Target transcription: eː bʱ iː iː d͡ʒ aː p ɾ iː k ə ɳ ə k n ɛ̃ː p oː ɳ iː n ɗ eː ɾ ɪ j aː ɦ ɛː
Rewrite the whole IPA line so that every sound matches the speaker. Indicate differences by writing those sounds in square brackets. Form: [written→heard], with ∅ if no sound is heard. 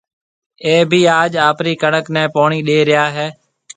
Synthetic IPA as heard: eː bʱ iː [iː→aː] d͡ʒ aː p ɾ iː k ə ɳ ə k n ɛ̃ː p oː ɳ iː [n→∅] ɗ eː ɾ ɪ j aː ɦ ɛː